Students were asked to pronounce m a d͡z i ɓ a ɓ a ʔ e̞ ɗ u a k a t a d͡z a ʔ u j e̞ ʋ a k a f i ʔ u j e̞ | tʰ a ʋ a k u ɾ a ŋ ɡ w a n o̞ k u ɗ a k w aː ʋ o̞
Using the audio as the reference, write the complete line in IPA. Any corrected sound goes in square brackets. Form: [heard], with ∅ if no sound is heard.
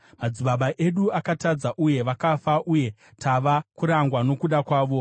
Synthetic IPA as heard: m a d͡z i ɓ a ɓ a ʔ e̞ ɗ u a k a t a d͡z a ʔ u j e̞ ʋ a k a f [a] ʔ u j e̞ | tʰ a ʋ a k u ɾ a ŋ ɡ w a n o̞ k u ɗ a k w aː ʋ o̞